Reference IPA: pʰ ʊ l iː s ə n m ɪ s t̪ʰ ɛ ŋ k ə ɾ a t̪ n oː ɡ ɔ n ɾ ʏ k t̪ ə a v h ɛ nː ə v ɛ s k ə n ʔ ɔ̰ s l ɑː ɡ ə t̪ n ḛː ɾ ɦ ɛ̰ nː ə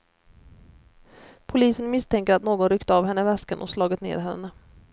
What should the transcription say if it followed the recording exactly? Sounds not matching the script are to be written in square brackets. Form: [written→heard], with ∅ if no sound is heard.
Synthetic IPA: pʰ ʊ l iː s ə n m ɪ s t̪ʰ ɛ ŋ k ə ɾ a t̪ n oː ɡ ɔ n ɾ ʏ k t̪ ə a v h ɛ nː ə v ɛ s k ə n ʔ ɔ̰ s l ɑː ɡ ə t̪ n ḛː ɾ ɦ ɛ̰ nː ə

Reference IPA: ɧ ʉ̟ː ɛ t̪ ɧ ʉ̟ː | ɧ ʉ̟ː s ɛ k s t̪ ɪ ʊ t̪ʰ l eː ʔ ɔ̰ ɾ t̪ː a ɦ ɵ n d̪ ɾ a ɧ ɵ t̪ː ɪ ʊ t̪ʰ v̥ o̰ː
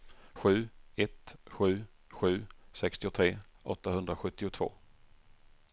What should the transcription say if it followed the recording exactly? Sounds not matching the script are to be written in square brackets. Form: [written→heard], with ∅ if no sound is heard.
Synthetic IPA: ɧ ʉ̟ː ɛ t̪ ɧ ʉ̟ː | ɧ ʉ̟ː s ɛ k s t̪ ɪ ʊ t̪ʰ [l→ɾ] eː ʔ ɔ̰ [ɾ→∅] t̪ː a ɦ ɵ n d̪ ɾ a ɧ ɵ t̪ː ɪ ʊ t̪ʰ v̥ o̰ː

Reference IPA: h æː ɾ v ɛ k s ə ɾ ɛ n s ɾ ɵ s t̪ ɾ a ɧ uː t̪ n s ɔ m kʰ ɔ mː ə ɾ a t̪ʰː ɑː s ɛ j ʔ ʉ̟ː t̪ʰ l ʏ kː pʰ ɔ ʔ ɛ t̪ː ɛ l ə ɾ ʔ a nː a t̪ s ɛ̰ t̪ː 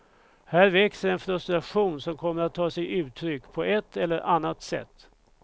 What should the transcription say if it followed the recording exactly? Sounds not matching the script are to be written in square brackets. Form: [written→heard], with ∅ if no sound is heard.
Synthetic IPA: h æː ɾ v ɛ k s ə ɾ ɛ n [s→f] ɾ ɵ s t̪ ɾ a ɧ uː [t̪→∅] n s ɔ m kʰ ɔ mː ə ɾ a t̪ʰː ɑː s ɛ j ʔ ʉ̟ː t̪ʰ [l→ɾ] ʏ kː pʰ ɔ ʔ ɛ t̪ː ɛ [l→lː] ə ɾ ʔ a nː a t̪ s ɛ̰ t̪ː

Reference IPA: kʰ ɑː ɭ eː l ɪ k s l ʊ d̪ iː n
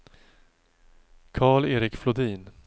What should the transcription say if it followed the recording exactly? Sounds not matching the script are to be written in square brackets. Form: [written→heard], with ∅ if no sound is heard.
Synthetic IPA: kʰ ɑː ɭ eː [l→ɾ] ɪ k [s→f] l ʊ d̪ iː n

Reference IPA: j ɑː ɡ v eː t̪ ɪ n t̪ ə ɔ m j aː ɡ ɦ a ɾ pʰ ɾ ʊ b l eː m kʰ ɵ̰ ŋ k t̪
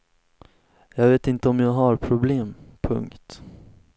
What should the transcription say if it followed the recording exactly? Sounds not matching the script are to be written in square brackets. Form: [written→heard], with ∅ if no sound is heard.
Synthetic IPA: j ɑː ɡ v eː t̪ ɪ n t̪ ə ɔ m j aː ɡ ɦ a ɾ pʰ ɾ ʊ b l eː m [kʰ→pʰ] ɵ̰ ŋ k t̪

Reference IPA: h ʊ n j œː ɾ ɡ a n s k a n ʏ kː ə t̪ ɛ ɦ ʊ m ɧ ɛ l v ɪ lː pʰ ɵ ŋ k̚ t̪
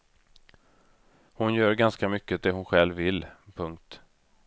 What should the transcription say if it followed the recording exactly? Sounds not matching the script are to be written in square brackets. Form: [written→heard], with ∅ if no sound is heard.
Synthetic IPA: h ʊ n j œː ɾ ɡ a n s k a [n→m] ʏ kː ə [t̪→d̪] ɛ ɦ ʊ [m→n] ɧ ɛ l v ɪ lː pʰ ɵ ŋ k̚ t̪

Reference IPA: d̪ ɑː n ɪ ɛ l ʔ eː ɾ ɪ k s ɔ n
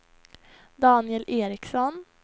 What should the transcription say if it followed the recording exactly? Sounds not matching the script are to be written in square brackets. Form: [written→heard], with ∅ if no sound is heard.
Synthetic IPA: d̪ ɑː n ɪ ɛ l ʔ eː ɾ ɪ k s ɔ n

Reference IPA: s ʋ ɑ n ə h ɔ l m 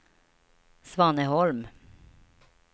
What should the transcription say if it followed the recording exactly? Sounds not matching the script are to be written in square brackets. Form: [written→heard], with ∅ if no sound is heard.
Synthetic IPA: s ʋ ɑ n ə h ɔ l m

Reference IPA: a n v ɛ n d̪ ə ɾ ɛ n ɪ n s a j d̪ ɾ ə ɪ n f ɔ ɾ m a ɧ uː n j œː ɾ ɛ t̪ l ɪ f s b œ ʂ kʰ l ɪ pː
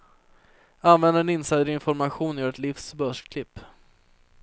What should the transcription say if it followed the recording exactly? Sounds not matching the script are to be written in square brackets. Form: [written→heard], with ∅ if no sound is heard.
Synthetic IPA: a n v ɛ n d̪ ə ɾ ɛ n ɪ n s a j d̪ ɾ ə ɪ n f ɔ ɾ m a ɧ uː n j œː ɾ ɛ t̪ l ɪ f s b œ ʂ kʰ l ɪ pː

